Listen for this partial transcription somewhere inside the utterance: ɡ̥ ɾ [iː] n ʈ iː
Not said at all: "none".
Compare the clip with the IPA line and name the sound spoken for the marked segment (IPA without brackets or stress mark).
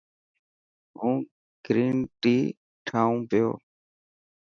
iː